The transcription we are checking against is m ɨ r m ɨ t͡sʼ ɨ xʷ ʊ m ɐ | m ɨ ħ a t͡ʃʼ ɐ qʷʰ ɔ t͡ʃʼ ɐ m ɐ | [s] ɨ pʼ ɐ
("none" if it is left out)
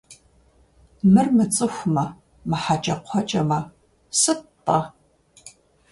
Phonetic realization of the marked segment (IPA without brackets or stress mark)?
s